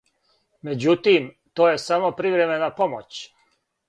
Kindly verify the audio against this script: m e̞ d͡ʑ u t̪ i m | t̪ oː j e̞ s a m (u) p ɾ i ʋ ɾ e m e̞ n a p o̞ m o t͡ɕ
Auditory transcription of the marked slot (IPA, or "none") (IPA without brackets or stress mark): o